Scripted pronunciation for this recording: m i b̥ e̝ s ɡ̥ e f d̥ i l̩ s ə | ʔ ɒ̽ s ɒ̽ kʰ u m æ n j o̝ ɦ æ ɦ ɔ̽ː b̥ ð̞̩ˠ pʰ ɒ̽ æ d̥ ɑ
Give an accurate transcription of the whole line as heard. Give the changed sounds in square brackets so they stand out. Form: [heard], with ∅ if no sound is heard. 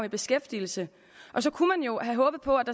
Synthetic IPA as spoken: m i b̥ e̝ s ɡ̥ e f d̥ i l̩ s ə | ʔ ɒ̽ s ɒ̽ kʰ u m æ n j o̝ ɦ æ ɦ ɔ̽ː b̥ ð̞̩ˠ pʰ ɒ̽ æ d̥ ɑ